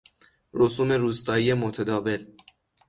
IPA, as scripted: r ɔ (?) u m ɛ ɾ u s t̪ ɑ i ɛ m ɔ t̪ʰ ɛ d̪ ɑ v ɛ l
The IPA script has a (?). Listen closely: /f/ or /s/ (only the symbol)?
s